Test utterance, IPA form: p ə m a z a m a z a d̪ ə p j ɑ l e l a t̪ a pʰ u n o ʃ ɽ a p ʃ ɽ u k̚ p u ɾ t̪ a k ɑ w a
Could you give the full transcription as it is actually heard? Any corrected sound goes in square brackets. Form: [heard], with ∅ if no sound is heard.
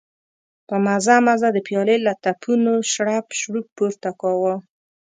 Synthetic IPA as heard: p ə m a z a m a z a d̪ ə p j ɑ l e l a t̪ a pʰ u n o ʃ ɽ a p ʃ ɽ u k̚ p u ɾ t̪ a k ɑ w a